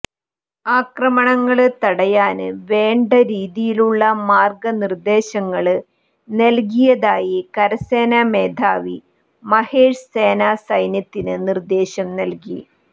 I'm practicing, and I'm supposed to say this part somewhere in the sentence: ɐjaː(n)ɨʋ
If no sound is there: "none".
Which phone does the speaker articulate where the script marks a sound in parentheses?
n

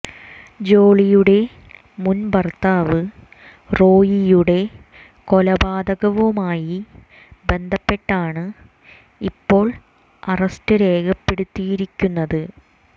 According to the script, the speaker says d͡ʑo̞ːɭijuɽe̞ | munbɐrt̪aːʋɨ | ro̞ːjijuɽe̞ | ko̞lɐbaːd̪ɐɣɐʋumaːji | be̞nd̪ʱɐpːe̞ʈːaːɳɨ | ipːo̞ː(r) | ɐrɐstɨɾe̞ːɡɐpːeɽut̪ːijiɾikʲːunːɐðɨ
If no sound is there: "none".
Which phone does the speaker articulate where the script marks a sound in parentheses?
ɭ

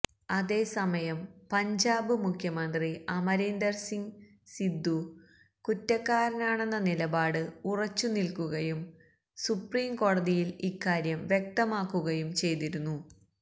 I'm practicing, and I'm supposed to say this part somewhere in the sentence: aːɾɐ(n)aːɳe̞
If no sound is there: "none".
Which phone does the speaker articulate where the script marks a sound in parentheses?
n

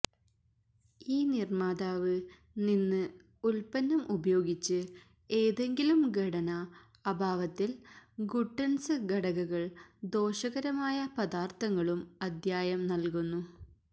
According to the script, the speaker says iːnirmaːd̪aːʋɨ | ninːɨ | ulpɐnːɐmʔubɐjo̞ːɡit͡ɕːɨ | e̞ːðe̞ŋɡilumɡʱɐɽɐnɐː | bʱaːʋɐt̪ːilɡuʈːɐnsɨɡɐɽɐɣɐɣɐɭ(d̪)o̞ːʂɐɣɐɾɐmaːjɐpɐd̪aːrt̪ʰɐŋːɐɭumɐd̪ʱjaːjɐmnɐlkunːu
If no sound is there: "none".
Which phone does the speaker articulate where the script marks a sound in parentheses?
d̪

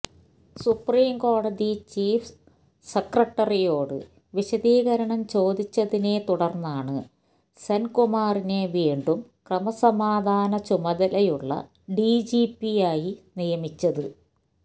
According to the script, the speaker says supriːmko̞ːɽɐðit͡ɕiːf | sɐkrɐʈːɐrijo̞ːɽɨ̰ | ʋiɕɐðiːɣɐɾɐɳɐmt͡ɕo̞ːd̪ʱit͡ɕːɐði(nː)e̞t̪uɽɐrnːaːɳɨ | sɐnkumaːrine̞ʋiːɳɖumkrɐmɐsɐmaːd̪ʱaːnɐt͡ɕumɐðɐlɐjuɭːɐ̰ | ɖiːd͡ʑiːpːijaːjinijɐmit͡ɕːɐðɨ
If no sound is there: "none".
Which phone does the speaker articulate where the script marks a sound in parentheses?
n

